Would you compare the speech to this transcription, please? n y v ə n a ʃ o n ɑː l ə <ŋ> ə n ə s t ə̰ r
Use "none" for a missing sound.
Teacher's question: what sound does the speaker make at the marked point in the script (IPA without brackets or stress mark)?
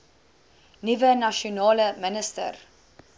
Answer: m